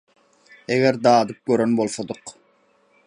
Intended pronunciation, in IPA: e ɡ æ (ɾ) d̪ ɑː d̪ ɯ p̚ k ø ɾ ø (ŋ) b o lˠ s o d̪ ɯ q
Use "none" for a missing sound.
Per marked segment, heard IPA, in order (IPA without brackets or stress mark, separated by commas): ɾ, n